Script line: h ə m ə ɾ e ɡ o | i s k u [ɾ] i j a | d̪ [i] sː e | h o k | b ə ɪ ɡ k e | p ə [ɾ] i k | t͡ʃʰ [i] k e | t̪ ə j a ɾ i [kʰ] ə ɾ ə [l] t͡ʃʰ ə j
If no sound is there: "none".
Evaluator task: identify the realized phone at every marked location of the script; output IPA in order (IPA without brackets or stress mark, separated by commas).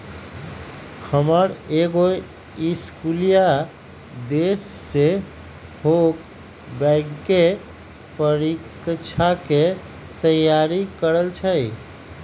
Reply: l, e, ɾ, a, k, l